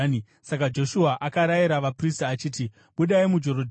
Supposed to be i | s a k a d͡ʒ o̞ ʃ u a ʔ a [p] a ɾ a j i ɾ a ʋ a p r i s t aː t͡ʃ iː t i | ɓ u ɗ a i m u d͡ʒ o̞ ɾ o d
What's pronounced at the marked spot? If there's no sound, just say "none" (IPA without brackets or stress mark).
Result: k